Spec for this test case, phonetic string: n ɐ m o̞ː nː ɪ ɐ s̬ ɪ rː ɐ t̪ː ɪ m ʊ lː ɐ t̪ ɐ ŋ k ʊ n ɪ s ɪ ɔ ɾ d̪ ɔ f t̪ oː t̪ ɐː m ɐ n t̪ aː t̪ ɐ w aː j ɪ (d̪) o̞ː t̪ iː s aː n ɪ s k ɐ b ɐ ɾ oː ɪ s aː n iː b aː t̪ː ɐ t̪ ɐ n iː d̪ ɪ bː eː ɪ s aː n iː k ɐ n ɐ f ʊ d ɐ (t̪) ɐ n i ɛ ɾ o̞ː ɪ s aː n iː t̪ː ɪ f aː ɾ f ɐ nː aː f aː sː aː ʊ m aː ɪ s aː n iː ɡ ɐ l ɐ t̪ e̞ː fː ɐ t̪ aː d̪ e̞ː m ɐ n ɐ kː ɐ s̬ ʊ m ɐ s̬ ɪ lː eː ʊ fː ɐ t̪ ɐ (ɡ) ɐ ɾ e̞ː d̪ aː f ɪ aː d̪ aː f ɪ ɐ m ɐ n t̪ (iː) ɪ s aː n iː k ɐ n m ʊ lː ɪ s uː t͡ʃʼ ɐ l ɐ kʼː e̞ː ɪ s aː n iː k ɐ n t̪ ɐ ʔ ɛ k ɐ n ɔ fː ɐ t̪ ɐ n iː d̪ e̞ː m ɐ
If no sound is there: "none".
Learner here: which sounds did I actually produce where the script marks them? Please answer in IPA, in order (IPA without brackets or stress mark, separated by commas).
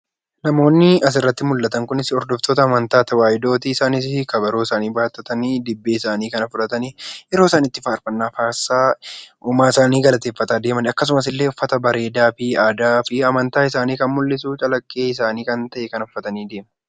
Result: d̪, t̪, b, aː